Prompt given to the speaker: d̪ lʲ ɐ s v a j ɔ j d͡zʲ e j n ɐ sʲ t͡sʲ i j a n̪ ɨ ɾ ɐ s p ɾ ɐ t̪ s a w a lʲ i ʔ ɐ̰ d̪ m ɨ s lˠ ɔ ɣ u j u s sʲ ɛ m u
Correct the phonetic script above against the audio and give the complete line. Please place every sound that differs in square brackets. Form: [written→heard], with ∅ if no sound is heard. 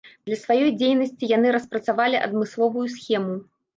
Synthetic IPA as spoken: d̪ lʲ ɐ s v a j ɔ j d͡zʲ e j n ɐ sʲ t͡sʲ i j a n̪ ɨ ɾ ɐ s p ɾ ɐ t̪ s a [w→v] a lʲ i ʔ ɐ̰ d̪ m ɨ s lˠ ɔ [ɣ→v] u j u s [sʲ→xʲ] ɛ m u

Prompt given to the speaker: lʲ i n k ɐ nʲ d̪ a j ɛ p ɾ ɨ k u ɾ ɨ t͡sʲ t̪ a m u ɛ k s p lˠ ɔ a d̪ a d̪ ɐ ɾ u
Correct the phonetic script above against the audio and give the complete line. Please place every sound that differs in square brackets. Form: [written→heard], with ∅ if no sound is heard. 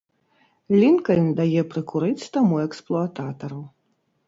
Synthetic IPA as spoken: lʲ i n k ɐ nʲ d̪ a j ɛ p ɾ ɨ k u ɾ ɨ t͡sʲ t̪ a m u ɛ k s p lˠ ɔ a [d̪→t̪] a [d̪→t̪] ɐ ɾ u

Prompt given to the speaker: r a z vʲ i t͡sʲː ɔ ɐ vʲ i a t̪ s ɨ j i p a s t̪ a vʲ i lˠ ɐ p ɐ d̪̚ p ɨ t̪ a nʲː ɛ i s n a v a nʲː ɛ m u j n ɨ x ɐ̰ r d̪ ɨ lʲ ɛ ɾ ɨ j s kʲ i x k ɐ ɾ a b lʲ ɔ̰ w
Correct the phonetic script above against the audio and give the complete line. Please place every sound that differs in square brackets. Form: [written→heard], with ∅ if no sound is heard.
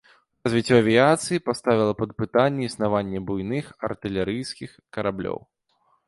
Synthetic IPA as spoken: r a z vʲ i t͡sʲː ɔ ɐ vʲ i a t̪ s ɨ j i p a s t̪ a vʲ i lˠ ɐ p ɐ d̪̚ p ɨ t̪ a nʲː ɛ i s n a v a nʲː ɛ [m→b] u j n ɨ x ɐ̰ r [d̪→t̪] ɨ lʲ ɛ ɾ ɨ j s kʲ i x k ɐ ɾ a b lʲ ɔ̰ w

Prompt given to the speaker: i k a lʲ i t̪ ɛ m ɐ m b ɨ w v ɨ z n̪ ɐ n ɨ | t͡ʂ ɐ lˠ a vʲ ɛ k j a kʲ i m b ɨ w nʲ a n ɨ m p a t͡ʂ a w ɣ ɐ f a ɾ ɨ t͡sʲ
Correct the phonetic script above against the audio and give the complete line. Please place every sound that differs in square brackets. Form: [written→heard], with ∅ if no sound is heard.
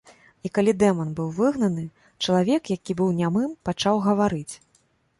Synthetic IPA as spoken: i k a lʲ i [t̪→d̪] ɛ m ɐ [m→n] b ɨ w v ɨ [z→ɣ] n̪ ɐ n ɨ | t͡ʂ ɐ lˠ a vʲ ɛ k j a kʲ i [m→∅] b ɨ w nʲ a [n→m] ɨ m p a t͡ʂ a w ɣ ɐ [f→v] a ɾ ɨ t͡sʲ

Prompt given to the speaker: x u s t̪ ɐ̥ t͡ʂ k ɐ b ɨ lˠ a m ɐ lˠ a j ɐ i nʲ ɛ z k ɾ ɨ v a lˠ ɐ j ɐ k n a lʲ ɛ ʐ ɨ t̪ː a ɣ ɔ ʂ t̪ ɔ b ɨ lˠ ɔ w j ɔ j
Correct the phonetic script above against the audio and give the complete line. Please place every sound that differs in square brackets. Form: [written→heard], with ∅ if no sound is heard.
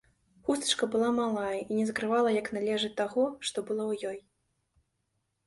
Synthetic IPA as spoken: x u s t̪ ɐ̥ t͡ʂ k ɐ b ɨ lˠ a m [ɐ→a] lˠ a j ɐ i nʲ ɛ z k ɾ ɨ v a lˠ ɐ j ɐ k n a lʲ ɛ ʐ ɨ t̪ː a ɣ ɔ ʂ t̪ ɔ b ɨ lˠ ɔ w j ɔ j

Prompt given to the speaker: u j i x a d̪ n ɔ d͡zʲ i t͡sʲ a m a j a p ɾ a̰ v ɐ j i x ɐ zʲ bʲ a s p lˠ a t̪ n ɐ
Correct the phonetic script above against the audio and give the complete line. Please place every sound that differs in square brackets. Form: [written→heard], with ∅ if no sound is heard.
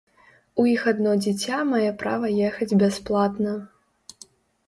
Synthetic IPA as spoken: u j i x a d̪ n ɔ d͡zʲ i t͡sʲ a m a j [a→ɛ] p ɾ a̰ v ɐ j [i→ɛ] x ɐ [zʲ→d͡zʲ] bʲ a s p lˠ a t̪ n ɐ

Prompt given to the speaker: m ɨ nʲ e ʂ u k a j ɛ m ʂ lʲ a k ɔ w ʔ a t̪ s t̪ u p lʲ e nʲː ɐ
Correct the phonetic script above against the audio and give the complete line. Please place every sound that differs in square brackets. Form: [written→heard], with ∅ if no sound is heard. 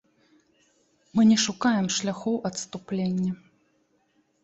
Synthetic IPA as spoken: m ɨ nʲ [e→ɛ] ʂ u k a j ɛ m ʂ lʲ a [k→x] ɔ w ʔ [a→ɐ] t̪ s t̪ u p lʲ e nʲː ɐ

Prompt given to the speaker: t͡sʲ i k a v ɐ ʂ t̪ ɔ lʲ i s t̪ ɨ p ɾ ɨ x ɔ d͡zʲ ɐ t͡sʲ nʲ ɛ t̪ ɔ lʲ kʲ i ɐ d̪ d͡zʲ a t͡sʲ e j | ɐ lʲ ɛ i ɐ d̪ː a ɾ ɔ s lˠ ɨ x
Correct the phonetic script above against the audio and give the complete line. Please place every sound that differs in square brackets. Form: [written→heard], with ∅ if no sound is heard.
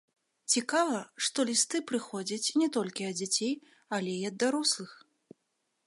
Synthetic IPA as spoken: t͡sʲ i k a v ɐ ʂ t̪ ɔ lʲ i s t̪ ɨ p ɾ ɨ x ɔ d͡zʲ ɐ t͡sʲ nʲ ɛ t̪ ɔ lʲ kʲ i ɐ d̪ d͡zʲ a t͡sʲ e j | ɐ lʲ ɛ i ɐ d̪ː a ɾ ɔ s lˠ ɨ x

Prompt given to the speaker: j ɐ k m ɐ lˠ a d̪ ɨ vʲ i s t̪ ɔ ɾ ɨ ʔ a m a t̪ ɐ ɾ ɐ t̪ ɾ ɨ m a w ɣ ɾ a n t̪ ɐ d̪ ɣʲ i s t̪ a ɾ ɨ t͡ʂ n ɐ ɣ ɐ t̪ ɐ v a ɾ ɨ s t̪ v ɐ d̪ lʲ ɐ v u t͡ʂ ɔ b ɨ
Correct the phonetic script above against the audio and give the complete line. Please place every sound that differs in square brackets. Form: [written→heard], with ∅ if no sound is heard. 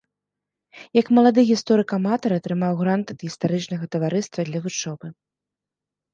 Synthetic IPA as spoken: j ɐ k m ɐ lˠ a d̪ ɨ [vʲ→ɣʲ] i s t̪ ɔ ɾ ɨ [ʔ→k] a m a t̪ ɐ ɾ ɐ t̪ ɾ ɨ m a w ɣ ɾ a n t̪ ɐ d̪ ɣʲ i s t̪ a ɾ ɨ t͡ʂ n ɐ ɣ ɐ t̪ ɐ v a ɾ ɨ s t̪ v ɐ d̪ lʲ ɐ v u t͡ʂ ɔ b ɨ

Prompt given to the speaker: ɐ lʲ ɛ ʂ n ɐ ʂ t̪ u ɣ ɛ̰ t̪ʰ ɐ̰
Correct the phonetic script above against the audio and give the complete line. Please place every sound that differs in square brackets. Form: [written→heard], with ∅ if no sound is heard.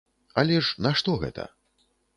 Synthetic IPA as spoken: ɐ lʲ ɛ ʂ n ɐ ʂ t̪ [u→ɔ] ɣ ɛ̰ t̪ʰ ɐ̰

